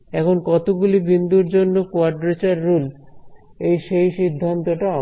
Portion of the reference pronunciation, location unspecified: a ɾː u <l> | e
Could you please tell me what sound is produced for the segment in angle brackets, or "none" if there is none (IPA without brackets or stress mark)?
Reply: l